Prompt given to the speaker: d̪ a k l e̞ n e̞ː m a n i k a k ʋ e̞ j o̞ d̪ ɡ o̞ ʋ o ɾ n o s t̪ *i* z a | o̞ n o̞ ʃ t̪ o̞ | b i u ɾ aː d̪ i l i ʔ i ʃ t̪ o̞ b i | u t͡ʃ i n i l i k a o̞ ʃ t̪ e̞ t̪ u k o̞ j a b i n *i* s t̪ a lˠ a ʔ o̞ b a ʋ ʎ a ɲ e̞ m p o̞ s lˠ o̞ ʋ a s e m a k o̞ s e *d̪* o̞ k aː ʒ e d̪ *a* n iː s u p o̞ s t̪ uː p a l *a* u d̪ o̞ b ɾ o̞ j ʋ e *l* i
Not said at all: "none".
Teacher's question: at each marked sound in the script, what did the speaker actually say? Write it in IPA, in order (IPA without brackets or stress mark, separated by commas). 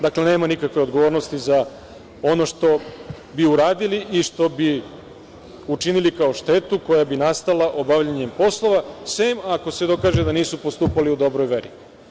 i, a, d̪, a, i, ɾ